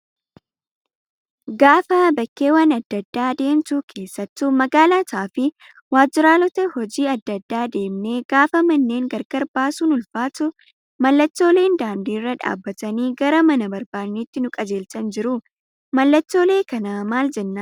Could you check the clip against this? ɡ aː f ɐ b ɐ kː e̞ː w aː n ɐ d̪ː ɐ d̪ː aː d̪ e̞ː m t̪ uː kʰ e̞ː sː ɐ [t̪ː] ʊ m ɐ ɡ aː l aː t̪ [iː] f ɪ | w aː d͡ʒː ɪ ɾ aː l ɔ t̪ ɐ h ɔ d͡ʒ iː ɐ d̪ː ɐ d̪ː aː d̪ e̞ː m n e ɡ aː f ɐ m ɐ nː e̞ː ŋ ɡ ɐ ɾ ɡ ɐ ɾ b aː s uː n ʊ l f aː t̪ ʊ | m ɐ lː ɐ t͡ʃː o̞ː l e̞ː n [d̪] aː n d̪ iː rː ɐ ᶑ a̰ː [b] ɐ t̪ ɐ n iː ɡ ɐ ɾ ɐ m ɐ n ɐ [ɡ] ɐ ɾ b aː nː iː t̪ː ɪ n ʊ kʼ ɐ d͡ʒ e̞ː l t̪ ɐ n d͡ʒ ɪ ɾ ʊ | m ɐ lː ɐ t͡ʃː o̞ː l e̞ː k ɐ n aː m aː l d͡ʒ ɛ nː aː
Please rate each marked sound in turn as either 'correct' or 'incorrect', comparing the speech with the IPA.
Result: correct, incorrect, correct, incorrect, incorrect

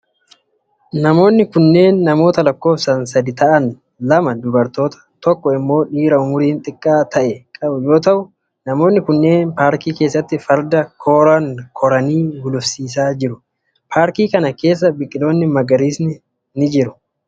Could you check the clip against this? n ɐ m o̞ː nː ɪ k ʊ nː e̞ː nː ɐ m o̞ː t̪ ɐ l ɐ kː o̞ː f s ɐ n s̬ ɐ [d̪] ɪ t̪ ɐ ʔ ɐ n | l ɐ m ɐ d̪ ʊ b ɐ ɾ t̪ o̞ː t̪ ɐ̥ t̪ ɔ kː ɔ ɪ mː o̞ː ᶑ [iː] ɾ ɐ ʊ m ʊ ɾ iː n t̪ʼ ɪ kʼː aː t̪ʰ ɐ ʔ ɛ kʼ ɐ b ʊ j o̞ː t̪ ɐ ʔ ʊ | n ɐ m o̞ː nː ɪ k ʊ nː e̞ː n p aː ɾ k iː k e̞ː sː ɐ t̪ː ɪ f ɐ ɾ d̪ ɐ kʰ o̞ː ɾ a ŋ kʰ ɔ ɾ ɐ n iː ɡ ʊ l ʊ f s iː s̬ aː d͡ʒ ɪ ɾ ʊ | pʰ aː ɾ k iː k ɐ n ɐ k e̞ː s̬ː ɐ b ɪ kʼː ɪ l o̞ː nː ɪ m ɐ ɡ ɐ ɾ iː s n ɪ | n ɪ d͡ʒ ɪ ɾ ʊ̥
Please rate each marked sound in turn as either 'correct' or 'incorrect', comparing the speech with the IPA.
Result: correct, correct

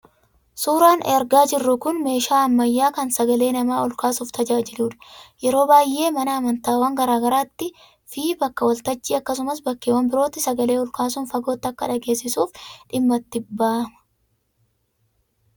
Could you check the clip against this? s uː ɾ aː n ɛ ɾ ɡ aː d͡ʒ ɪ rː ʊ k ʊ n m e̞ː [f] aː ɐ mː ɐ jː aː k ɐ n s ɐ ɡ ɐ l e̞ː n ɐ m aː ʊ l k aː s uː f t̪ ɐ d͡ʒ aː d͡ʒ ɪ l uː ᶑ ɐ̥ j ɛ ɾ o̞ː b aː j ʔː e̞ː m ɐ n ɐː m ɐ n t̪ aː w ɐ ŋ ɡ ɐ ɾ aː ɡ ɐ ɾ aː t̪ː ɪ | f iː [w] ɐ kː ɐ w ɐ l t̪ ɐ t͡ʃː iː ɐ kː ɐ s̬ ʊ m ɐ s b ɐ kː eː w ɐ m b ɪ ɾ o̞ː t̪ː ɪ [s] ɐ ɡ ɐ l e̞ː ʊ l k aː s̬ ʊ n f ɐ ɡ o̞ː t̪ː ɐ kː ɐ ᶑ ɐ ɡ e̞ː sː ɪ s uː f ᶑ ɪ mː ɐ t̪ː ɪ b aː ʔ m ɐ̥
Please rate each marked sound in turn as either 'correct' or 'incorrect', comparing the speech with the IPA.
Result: incorrect, incorrect, correct

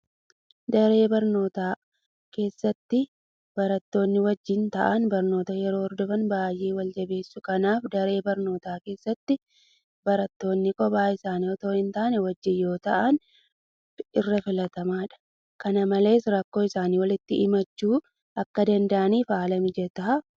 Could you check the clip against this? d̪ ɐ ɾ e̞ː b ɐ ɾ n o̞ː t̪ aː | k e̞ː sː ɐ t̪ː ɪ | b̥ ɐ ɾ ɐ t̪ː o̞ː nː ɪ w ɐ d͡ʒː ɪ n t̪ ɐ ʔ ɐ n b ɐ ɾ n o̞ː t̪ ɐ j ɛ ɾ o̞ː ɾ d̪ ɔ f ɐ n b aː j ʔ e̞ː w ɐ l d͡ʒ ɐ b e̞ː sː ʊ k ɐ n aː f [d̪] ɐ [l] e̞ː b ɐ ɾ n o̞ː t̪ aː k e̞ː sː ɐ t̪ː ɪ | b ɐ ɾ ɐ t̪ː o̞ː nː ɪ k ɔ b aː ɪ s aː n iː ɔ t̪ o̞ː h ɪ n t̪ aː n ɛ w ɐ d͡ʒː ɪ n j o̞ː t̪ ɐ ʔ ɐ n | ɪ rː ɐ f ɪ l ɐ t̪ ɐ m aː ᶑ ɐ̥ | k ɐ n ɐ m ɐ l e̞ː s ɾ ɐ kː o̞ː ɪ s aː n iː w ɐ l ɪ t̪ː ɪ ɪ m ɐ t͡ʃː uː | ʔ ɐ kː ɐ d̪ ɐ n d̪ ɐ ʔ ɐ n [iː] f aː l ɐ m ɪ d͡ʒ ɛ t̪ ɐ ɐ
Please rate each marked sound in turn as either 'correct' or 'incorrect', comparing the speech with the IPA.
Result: correct, incorrect, correct

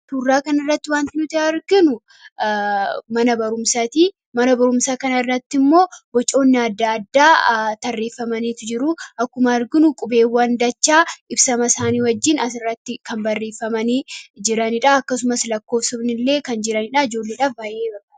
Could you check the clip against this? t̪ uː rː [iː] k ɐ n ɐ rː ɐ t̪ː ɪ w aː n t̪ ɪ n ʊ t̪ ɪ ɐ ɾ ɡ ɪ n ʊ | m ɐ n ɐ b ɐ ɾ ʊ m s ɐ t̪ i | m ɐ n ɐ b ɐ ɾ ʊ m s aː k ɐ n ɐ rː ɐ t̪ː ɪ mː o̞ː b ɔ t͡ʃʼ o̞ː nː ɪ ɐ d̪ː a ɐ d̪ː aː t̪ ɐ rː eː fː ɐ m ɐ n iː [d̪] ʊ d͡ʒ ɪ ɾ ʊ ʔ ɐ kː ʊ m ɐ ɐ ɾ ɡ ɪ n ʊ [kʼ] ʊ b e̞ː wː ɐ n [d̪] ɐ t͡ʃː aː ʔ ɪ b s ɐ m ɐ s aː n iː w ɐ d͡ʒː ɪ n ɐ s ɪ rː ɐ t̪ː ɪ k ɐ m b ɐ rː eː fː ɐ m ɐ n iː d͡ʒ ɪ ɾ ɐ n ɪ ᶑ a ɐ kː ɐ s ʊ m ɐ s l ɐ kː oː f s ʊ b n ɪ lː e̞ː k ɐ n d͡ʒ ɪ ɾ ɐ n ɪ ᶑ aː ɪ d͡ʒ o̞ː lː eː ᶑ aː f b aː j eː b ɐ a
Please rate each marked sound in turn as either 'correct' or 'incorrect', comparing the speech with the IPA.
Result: incorrect, incorrect, correct, correct

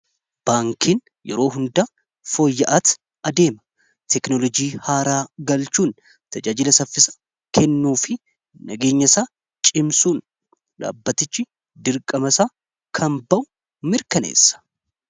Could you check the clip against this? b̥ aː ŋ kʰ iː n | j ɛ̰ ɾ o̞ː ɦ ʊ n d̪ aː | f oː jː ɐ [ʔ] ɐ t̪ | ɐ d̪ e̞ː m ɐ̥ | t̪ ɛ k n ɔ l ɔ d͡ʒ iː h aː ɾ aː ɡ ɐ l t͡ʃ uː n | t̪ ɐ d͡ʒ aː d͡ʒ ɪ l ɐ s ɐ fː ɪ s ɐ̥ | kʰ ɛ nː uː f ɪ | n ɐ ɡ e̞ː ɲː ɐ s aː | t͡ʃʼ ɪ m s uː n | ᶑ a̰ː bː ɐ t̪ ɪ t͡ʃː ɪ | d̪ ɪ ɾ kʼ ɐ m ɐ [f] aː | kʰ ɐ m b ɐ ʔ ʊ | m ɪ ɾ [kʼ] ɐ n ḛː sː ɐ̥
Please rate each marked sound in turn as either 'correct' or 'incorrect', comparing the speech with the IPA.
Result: correct, incorrect, incorrect

